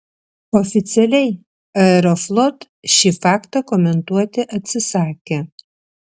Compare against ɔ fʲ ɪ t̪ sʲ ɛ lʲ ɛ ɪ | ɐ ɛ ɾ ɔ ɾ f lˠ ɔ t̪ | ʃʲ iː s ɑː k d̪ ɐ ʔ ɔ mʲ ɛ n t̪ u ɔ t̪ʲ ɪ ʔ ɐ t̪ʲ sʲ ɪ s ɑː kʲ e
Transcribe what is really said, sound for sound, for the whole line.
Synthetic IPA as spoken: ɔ fʲ ɪ t̪ sʲ ɛ lʲ ɛ ɪ | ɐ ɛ ɾ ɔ f lˠ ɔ t̪ | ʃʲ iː f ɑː k t̪ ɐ k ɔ mʲ ɛ n t̪ u ɔ t̪ʲ ɪ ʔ ɐ t̪ʲ sʲ ɪ s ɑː kʲ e